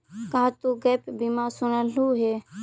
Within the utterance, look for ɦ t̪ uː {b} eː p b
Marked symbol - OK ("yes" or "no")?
no